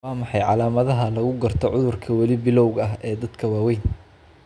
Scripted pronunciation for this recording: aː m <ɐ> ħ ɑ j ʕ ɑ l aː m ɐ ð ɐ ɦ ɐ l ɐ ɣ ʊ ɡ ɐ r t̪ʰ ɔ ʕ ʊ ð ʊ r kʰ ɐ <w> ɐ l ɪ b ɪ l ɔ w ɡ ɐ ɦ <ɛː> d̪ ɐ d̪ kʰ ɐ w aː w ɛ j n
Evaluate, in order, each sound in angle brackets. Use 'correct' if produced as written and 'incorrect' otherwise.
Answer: incorrect, correct, correct

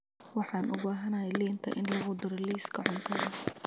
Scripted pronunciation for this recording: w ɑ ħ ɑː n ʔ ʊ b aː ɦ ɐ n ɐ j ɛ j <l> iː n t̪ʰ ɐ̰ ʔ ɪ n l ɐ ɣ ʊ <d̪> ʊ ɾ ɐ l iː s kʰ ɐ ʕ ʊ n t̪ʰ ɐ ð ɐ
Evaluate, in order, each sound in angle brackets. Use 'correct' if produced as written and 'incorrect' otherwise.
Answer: correct, correct

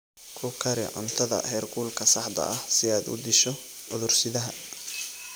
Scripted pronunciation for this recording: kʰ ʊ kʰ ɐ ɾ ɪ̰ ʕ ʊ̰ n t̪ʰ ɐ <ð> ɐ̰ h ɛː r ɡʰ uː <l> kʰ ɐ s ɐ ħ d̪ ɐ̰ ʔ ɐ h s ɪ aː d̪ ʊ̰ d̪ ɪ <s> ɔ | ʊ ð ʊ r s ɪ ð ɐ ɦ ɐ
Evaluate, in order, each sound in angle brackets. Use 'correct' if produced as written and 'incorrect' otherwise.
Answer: correct, correct, incorrect

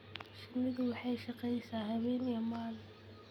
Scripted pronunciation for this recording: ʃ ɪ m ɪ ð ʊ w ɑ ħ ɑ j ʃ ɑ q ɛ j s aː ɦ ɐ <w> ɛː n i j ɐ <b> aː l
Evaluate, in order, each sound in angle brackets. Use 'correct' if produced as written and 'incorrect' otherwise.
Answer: incorrect, incorrect

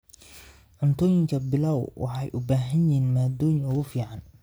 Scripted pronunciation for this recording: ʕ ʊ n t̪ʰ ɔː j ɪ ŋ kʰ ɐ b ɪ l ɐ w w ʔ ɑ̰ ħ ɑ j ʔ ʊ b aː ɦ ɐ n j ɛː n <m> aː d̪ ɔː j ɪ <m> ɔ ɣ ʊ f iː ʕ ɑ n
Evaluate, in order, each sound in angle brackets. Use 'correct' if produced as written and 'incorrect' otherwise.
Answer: correct, incorrect

